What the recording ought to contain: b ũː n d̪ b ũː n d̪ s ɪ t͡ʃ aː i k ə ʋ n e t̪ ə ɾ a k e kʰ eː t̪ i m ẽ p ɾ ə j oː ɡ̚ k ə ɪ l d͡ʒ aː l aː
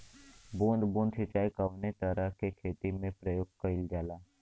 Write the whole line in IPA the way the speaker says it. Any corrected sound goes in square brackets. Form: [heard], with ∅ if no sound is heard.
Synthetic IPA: b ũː n d̪ b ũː n d̪ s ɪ t͡ʃ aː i k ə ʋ n e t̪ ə ɾ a k e kʰ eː t̪ i m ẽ p ɾ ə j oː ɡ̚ k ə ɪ l d͡ʒ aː l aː

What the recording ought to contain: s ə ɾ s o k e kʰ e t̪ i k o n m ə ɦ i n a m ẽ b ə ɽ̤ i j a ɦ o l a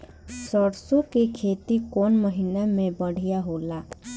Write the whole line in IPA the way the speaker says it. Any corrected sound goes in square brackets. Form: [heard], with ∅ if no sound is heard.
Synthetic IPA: s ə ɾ s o k e kʰ e t̪ i k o n m ə ɦ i n a m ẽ b ə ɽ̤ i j a ɦ o l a

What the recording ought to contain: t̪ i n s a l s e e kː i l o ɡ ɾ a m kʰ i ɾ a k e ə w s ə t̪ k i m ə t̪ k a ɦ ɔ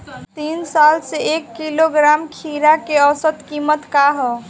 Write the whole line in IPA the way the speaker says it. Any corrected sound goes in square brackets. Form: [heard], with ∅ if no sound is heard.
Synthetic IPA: t̪ i n s a l s e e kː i l o ɡ ɾ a m kʰ i ɾ a k e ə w s ə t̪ k i m ə t̪ k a ɦ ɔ

